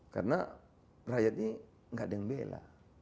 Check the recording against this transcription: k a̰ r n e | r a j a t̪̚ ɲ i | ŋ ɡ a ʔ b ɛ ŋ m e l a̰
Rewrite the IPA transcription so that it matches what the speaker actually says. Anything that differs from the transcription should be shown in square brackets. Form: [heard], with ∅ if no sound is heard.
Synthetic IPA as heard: k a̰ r n [a] | r a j a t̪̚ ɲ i | ŋ ɡ a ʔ [d] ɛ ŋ [b] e l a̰

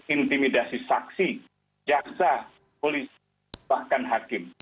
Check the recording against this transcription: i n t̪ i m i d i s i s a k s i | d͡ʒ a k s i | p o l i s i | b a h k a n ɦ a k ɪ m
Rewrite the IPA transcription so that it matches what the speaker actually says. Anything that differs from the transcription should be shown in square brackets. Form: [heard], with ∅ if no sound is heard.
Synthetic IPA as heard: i n t̪ i m i d [a] s i s a k s i | d͡ʒ a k s [a] | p o l i s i | b a h k a n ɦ a k ɪ m

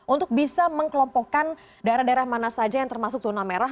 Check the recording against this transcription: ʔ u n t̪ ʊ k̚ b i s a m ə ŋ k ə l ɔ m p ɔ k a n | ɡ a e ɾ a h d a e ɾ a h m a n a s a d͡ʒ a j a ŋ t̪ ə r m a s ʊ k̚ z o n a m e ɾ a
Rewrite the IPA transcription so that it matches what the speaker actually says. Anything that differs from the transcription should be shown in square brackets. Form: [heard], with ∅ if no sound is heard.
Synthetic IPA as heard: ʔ u n t̪ ʊ k̚ b i s a m ə ŋ k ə l ɔ m p ɔ k a n | [d] a e ɾ a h d a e ɾ a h m a n a s a d͡ʒ a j a ŋ t̪ ə r m a s ʊ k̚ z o n a m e ɾ a

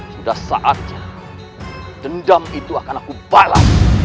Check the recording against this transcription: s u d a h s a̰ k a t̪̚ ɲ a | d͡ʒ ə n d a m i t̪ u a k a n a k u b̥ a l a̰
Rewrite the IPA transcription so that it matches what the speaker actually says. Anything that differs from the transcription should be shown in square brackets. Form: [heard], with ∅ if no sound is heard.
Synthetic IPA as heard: s u d a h s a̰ [ʔ] a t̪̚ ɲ a | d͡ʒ ə n d a m i t̪ u a k a n a k u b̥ a l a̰

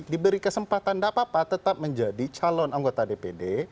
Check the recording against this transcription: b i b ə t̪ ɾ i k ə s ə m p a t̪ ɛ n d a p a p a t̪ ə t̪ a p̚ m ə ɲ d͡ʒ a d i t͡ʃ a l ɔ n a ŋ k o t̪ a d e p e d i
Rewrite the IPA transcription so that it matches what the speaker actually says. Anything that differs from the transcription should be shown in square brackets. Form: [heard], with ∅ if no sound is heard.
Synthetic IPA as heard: [d] i b ə [∅] ɾ i k ə s ə m p a t̪ [a] n d a p a p a t̪ ə t̪ a p̚ m ə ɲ d͡ʒ a d i t͡ʃ a l ɔ n a ŋ [ɡ] o t̪ a d e p e d [e]

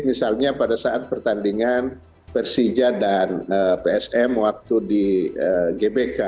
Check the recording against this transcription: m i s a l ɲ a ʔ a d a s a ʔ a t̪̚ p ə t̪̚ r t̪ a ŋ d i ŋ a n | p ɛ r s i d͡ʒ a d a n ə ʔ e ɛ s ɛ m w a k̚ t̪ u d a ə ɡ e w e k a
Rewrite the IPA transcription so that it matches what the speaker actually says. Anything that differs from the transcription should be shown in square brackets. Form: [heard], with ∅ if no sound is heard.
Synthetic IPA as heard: m i s a l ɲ a [p] a d a s a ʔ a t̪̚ p ə [∅] r t̪ a [n] d i ŋ a n | p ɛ r s i d͡ʒ a d a n ə [p] e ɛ s ɛ m w a k̚ t̪ u d [i] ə ɡ e [b] e k a

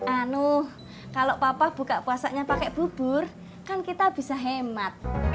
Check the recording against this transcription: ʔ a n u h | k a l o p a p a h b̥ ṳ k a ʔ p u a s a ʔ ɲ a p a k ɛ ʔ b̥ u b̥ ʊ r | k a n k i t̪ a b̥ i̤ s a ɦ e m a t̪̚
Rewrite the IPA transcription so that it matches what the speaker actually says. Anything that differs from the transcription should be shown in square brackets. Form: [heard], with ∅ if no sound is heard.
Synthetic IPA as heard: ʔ a n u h | k a l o p a p a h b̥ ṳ k a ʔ p u a s a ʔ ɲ a p a k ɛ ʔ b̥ u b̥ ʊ r | k a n k i t̪ a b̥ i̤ s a ɦ e m a t̪̚

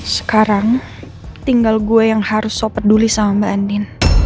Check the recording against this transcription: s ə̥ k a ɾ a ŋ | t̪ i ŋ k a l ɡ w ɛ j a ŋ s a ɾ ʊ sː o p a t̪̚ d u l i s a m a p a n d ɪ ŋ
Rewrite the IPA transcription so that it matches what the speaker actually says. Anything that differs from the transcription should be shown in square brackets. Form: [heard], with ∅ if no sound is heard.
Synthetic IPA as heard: s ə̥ k a ɾ a ŋ | t̪ i ŋ [ɡ] a l ɡ [u] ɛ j a ŋ [h] a ɾ ʊ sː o p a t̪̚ d u l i s a m a [b] a n d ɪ [n]

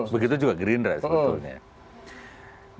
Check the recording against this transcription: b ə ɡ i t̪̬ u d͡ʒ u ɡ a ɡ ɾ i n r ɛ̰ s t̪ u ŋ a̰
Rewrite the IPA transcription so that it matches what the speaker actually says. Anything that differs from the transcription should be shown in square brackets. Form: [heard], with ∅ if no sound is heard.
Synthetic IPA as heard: b ə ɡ i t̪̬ u d͡ʒ u ɡ a ɡ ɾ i n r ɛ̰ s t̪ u [ɲ] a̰

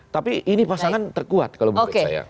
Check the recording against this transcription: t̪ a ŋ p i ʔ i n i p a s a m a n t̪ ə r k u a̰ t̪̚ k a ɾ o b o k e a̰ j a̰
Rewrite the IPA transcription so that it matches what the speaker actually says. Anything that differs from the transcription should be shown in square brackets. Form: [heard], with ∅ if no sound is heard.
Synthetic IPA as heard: t̪ a [∅] p i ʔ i n i p a s a [ŋ] a n t̪ ə r k u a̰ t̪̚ k a [l] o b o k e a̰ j a̰

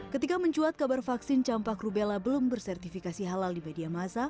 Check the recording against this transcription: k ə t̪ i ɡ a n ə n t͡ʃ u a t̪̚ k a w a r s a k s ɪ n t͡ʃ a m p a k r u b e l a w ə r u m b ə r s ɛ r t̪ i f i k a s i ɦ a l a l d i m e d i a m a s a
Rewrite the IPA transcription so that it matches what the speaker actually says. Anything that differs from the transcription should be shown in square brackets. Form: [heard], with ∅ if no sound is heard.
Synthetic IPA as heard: k ə t̪ i [k] a [m] ə [ɲ] t͡ʃ u a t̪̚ k a [b] a r [f] a k s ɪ n t͡ʃ a m p a k r u b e l a [b] ə [l] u m b ə r s ɛ r t̪ i f i k a s i ɦ a l a l d i m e d i a m a s a

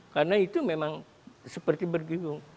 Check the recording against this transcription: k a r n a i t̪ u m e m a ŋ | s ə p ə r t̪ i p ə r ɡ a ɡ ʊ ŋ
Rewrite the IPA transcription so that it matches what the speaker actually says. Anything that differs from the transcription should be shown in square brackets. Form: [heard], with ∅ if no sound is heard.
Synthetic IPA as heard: k a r n a i t̪ u m e m a ŋ | s ə p ə r t̪ i [b] ə r ɡ [i] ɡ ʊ ŋ

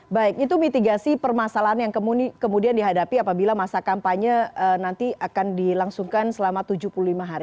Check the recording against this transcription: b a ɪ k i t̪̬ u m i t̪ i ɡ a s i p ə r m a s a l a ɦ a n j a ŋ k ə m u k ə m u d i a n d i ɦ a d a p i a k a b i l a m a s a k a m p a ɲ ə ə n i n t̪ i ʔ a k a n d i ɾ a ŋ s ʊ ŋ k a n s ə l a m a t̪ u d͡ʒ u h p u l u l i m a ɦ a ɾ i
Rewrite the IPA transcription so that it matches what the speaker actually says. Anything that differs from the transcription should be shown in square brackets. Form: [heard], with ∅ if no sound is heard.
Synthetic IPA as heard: b a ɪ k i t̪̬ u m i t̪ i ɡ a s i p ə r m a s a l a ɦ a n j a ŋ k ə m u k ə m u d i a n d i ɦ a d a p i a [p] a b i l a m a s a k a m p a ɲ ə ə n [a] n t̪ i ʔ a k a n d i [l] a ŋ s [u] ŋ k a n s ə l a m a t̪ u d͡ʒ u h p u l u l i m a ɦ a ɾ i

